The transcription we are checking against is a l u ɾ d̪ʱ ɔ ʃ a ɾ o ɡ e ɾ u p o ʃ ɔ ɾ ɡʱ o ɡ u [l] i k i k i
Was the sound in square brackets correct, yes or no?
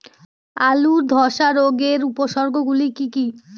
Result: yes